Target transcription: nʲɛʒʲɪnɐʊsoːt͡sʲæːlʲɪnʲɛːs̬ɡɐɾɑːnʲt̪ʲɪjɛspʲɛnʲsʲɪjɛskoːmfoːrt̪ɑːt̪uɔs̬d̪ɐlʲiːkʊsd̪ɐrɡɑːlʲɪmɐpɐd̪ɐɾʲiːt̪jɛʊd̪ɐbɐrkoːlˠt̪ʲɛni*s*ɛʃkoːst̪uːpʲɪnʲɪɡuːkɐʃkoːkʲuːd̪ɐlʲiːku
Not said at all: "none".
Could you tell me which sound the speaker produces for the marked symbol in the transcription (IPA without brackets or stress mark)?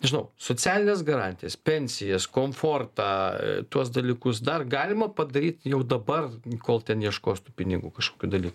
none